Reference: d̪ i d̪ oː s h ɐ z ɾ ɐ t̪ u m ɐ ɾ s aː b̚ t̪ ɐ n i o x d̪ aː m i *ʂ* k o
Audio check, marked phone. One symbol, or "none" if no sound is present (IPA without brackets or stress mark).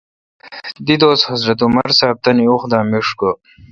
ʂ